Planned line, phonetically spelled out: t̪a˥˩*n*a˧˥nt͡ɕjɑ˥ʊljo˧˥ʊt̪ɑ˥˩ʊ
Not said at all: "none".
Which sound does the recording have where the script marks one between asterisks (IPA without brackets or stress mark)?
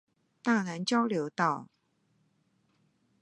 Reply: n